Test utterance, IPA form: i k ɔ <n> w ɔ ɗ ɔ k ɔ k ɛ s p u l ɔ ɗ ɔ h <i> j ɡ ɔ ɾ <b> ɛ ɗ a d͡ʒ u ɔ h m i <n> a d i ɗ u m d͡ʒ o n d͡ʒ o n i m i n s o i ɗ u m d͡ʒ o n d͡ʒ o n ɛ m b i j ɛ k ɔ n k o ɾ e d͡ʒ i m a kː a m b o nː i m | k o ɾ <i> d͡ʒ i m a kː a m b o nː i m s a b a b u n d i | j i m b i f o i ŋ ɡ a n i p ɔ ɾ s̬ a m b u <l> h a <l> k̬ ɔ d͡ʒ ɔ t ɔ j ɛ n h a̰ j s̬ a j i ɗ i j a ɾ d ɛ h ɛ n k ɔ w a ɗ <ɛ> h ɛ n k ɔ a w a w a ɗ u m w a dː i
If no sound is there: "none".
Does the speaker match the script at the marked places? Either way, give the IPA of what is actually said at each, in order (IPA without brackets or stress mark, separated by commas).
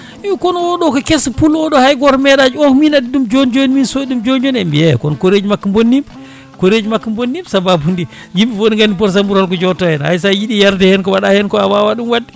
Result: n, a, m, n, e, ɾ, l, a